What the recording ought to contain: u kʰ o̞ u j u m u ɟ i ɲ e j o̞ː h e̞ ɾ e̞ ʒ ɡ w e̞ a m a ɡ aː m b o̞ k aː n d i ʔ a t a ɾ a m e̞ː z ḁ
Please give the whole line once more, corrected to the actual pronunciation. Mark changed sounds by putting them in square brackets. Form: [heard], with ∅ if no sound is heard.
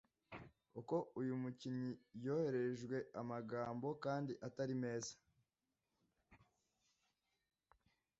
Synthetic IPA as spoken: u [k] o̞ u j u m u [c] i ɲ [i] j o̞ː h e̞ ɾ e̞ ʒ ɡ w e̞ a m a ɡ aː m b o̞ k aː n d i ʔ a t a ɾ [i] m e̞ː z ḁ